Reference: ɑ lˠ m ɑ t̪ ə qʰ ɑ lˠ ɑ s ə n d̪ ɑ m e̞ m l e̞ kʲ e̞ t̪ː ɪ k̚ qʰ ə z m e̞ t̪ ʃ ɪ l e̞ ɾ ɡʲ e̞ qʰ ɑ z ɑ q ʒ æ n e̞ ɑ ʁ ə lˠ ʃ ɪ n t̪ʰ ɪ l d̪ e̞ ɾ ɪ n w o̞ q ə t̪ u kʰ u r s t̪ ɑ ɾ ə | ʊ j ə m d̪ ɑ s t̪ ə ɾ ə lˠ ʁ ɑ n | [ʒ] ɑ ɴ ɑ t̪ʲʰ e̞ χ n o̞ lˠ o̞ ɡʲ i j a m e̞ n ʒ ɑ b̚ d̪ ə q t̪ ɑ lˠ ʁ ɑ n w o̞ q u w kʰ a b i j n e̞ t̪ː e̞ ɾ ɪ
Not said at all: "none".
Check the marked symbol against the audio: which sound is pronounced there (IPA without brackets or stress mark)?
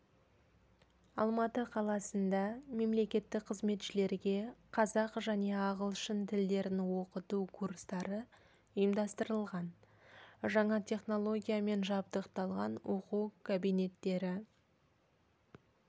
ʒ